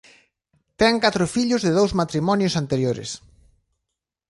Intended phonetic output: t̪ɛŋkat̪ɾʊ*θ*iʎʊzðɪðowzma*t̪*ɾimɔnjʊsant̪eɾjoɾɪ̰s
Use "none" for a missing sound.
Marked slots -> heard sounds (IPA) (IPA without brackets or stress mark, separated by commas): f, t̪